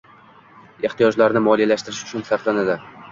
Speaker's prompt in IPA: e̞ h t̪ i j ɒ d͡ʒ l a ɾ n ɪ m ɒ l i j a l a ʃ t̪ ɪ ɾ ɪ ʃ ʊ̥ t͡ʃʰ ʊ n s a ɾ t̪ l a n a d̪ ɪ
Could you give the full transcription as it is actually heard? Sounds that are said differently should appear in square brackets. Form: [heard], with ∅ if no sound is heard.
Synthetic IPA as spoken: e̞ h t̪ i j ɒ d͡ʒ l a ɾ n ɪ m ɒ l i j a l a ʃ t̪ ɪ ɾ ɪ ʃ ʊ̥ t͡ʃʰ ʊ n s a ɾ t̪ l a n a d̪ ɪ